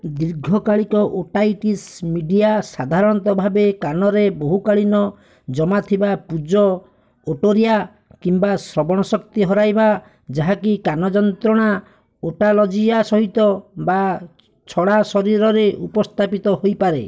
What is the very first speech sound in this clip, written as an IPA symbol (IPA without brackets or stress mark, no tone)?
d̪